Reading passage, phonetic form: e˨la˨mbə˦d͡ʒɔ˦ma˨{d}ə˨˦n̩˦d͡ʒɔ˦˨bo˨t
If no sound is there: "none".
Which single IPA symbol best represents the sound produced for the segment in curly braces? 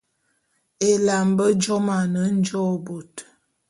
n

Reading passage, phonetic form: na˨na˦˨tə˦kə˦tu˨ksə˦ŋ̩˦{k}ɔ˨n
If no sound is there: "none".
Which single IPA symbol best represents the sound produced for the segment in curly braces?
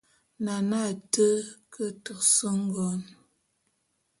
ɡ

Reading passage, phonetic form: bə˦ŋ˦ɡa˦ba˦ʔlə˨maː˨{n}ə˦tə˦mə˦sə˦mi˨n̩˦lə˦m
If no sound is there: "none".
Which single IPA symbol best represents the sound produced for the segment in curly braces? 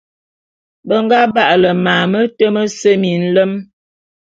m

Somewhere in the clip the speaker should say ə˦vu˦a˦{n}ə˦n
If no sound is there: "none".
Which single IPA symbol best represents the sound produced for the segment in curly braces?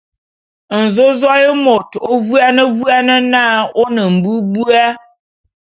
n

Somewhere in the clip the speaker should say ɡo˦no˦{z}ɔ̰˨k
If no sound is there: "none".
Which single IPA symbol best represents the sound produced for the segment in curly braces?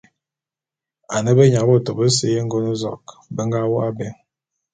z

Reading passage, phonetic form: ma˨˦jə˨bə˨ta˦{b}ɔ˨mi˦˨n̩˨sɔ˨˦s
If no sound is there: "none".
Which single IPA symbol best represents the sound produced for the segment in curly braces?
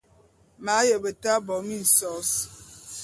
b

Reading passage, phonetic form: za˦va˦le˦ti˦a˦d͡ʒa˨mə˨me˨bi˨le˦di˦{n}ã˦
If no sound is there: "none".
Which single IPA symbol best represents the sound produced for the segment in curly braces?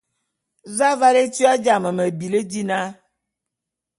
n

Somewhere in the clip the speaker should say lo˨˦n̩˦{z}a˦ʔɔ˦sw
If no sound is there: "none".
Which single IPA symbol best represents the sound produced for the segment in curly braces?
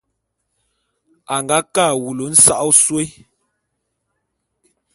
s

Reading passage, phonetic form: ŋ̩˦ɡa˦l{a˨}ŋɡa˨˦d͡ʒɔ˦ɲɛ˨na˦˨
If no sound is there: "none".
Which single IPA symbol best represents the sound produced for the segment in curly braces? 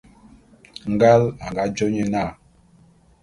a˨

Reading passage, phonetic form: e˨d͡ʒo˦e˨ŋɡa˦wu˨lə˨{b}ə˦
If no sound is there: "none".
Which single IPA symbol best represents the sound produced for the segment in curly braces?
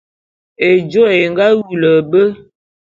b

